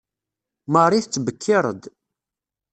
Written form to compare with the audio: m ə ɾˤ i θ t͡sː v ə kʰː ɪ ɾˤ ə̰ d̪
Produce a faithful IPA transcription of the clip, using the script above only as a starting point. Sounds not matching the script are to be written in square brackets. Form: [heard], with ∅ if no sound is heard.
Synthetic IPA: m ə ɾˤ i θ t͡sː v ə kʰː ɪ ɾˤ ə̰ d̪